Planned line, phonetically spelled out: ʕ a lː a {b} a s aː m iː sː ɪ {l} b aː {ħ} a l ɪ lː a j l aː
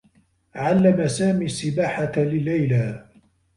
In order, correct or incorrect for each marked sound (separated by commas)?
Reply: incorrect, incorrect, correct